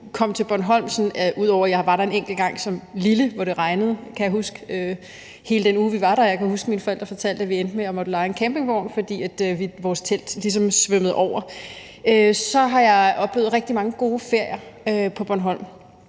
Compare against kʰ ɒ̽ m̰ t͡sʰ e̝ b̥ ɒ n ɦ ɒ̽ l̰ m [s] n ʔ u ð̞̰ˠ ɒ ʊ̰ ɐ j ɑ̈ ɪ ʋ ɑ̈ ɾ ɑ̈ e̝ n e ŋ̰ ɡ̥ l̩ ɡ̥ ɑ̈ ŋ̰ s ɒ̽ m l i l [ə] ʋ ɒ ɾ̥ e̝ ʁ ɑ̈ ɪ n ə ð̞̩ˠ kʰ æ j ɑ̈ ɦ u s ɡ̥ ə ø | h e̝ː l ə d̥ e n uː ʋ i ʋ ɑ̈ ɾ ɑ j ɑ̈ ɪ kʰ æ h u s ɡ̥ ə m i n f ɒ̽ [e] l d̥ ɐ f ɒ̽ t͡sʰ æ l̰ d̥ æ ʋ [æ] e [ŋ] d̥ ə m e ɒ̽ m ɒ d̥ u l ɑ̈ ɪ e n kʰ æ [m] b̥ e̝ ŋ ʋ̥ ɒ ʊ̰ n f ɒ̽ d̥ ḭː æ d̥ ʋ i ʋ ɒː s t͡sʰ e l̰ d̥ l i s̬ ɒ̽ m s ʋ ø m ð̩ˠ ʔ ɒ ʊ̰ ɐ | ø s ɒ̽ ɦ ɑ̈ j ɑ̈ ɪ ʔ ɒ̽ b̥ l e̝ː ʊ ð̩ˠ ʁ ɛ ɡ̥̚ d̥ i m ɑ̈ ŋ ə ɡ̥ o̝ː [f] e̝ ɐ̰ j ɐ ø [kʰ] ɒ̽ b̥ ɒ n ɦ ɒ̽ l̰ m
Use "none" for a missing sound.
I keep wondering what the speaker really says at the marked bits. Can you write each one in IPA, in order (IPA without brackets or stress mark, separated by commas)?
s, ə, e, i, n, m, f, pʰ